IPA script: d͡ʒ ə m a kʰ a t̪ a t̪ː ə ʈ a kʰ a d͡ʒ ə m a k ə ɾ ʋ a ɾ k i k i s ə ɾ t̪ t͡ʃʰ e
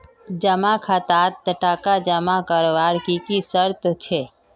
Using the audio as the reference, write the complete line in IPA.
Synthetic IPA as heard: d͡ʒ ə m a kʰ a t̪ a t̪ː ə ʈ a k a d͡ʒ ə m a k ə ɾ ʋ a ɾ k i k i s ə ɾ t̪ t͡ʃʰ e